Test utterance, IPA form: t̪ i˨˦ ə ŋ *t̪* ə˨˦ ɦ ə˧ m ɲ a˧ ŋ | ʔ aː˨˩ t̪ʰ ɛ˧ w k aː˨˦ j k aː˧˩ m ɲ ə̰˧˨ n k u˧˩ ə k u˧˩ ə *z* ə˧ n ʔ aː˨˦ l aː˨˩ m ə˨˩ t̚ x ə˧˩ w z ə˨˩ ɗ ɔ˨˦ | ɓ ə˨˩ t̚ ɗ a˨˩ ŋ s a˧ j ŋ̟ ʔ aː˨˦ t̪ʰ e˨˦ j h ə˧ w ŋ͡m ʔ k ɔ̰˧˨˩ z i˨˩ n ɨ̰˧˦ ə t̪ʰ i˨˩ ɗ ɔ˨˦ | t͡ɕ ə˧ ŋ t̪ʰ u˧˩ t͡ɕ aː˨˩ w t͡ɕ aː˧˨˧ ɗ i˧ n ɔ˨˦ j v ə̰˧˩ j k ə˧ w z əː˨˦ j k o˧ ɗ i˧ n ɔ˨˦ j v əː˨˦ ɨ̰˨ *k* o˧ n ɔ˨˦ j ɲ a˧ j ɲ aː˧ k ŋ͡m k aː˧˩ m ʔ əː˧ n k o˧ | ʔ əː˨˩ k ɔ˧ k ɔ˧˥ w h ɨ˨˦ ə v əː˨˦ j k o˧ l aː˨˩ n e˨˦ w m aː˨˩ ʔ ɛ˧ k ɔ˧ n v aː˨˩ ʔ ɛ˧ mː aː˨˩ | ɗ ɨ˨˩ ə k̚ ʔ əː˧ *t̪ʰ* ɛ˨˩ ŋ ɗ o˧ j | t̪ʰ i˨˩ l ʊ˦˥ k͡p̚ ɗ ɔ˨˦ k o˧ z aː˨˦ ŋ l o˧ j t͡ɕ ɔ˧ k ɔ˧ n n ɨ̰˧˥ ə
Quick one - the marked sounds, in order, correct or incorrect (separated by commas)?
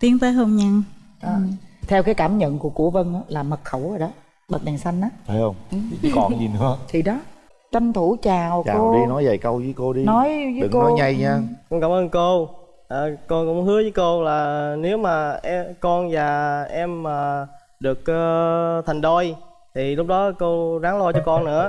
correct, incorrect, correct, correct